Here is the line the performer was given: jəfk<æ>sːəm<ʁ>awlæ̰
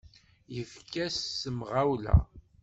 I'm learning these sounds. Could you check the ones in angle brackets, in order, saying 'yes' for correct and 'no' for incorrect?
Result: yes, yes

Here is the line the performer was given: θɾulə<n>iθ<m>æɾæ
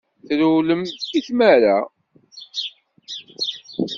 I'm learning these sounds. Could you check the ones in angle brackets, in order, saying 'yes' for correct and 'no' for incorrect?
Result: no, yes

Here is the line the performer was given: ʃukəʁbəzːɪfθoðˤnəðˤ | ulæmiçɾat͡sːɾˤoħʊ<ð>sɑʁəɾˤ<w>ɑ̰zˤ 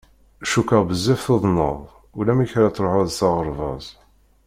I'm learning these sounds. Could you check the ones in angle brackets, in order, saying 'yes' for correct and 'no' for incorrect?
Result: yes, no

